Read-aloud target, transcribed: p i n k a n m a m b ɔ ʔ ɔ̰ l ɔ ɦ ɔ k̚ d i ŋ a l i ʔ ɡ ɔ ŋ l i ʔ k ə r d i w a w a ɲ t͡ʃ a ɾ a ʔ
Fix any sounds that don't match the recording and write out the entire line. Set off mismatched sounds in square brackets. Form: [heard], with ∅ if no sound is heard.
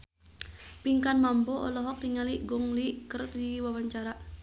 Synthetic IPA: p i [ŋ] k a n m a m b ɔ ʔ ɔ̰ l ɔ ɦ ɔ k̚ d i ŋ a l i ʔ ɡ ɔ ŋ l i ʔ k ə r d i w a w a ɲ t͡ʃ a ɾ a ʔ